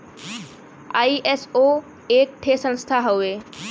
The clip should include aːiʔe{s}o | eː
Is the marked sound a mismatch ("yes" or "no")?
no